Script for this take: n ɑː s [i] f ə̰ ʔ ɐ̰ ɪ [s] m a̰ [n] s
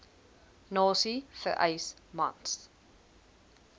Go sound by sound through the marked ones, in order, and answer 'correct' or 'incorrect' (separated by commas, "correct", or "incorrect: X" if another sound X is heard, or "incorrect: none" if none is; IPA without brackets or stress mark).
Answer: correct, correct, correct